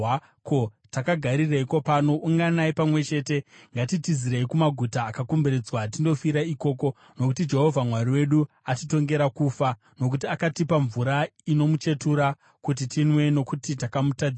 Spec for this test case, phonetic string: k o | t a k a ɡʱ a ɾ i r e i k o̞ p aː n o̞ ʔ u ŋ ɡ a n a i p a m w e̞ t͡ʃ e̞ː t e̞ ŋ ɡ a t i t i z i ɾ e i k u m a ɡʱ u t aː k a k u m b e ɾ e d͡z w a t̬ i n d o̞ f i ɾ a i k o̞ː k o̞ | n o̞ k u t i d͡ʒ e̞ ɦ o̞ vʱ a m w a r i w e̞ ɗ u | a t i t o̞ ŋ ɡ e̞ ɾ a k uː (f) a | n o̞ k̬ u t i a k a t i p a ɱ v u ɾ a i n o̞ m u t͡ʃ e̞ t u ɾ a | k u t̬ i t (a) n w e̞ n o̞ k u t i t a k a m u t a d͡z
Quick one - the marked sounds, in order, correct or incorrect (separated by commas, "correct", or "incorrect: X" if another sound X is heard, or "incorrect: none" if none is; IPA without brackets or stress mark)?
correct, incorrect: i